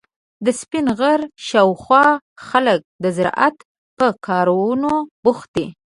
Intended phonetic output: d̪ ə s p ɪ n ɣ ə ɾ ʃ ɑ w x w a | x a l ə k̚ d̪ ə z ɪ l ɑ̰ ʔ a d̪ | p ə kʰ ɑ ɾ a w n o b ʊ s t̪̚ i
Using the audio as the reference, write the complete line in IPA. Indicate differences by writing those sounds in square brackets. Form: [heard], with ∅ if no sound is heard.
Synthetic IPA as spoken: d̪ ə s p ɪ n ɣ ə ɾ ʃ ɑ w x w [ɑ] | x a l ə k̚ d̪ ə z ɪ [ɾ] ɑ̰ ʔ a [t̪] | p ə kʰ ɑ ɾ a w n o b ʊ [x] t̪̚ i

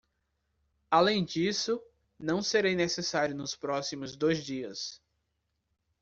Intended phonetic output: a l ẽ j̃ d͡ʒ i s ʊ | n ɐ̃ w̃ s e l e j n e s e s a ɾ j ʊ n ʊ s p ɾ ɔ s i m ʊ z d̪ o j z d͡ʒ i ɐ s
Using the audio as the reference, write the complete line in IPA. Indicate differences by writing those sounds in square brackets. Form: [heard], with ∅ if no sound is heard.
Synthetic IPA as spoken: a l ẽ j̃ d͡ʒ i s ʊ | n ɐ̃ w̃ s e [ɾ] e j n e s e s a ɾ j ʊ n ʊ s p ɾ ɔ s i m ʊ z d̪ o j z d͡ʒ i ɐ s

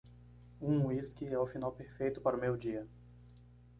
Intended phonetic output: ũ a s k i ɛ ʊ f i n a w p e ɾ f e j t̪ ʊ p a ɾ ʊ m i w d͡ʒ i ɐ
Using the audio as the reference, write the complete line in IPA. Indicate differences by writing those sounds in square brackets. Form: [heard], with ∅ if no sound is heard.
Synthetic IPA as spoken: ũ [i] s k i ɛ ʊ f i n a w p e ɾ f e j t̪ ʊ p a ɾ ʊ m [e] w d͡ʒ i ɐ

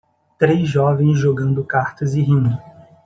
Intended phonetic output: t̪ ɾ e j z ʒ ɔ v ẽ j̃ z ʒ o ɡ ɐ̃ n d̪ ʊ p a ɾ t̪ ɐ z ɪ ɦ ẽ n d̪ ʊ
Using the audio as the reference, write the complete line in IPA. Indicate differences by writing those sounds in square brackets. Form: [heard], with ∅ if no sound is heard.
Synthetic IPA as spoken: t̪ ɾ e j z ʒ ɔ v ẽ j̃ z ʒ o ɡ ɐ̃ n d̪ ʊ [k] a ɾ t̪ ɐ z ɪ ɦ [ĩ] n d̪ ʊ

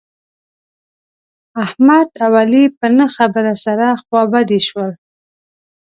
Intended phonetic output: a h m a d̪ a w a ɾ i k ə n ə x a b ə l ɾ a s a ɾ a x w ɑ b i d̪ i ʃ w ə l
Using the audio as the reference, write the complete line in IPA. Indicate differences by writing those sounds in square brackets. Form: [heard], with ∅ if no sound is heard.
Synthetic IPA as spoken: a h m a d̪ a w a [l] i [p] ə n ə x a b ə [∅] ɾ a s a ɾ a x w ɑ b [a] d̪ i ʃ w ə l

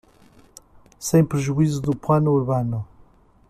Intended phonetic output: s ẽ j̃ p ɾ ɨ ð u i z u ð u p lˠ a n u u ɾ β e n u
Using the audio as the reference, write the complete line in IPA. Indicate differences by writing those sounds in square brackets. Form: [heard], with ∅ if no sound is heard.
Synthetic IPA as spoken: s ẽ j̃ p ɾ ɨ [ʒ] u i z u ð u p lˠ a n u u ɾ β [a] n u

